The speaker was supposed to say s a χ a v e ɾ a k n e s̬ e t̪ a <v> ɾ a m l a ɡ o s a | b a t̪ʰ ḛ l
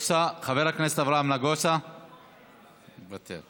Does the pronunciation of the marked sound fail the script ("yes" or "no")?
no